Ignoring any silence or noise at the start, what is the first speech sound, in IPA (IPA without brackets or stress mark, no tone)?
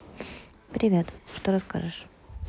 p